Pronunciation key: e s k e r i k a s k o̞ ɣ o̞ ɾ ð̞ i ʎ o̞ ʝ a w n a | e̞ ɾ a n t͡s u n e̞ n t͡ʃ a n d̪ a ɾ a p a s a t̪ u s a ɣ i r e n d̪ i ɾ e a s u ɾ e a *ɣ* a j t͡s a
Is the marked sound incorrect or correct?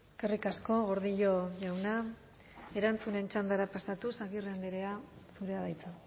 incorrect